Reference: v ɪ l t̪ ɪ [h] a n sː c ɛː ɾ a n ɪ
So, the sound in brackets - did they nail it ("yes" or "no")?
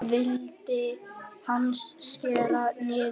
yes